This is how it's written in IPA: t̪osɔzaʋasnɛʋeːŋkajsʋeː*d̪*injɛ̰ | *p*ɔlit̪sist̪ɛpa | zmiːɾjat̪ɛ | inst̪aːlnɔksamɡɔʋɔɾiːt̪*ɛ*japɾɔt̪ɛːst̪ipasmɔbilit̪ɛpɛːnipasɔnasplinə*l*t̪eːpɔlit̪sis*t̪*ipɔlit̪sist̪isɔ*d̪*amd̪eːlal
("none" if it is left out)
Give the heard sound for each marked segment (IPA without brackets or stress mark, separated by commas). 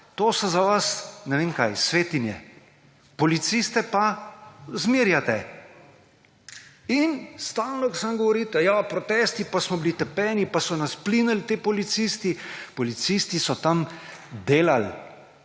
t̪, p, ɛ, l, t̪, t̪